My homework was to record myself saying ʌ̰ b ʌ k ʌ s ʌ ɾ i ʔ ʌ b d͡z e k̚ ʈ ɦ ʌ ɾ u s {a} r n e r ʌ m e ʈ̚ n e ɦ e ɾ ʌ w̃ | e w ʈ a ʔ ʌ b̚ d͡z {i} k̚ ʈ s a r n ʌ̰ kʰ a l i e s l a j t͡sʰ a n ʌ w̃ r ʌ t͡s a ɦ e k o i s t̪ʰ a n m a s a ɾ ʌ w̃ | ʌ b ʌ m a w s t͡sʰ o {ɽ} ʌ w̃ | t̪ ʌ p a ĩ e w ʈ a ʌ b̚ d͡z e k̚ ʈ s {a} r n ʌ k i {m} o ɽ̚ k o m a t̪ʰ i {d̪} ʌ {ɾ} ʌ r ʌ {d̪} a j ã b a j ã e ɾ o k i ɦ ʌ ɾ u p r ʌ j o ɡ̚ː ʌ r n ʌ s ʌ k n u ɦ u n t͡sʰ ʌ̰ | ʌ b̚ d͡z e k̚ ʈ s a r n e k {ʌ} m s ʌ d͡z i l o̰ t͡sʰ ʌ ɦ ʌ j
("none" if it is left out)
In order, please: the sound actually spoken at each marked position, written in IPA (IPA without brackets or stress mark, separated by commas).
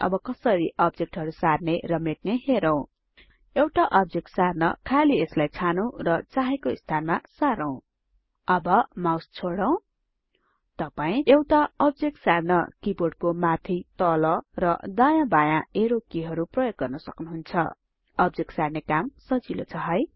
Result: a, e, ɽ, a, b, t̪, l, d̪, a